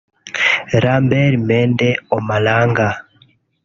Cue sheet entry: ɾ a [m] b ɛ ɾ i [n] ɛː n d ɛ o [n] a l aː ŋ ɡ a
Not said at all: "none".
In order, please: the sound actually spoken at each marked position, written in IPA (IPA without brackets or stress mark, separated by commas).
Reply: m, m, m